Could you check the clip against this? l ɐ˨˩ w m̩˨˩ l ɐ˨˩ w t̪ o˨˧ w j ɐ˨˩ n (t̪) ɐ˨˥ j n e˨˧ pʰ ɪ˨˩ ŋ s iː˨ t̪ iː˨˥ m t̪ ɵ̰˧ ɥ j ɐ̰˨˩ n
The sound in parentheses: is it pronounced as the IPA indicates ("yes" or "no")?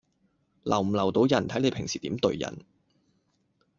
no